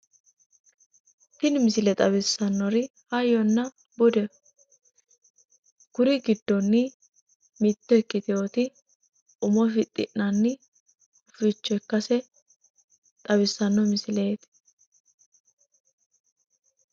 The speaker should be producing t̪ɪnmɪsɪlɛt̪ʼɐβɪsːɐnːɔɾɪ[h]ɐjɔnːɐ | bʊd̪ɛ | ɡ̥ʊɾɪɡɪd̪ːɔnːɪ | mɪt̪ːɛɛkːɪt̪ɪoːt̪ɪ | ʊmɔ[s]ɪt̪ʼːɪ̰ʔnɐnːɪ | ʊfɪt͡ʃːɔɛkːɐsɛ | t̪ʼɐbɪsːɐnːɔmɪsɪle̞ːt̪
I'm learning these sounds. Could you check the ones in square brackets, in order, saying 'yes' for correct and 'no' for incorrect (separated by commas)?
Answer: yes, no